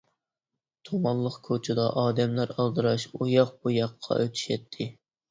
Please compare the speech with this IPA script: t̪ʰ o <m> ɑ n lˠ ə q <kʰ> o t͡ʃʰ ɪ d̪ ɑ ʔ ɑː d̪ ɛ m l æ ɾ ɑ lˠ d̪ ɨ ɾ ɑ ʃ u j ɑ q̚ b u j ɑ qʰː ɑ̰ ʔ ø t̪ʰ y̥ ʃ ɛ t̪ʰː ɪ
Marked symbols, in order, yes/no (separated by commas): yes, yes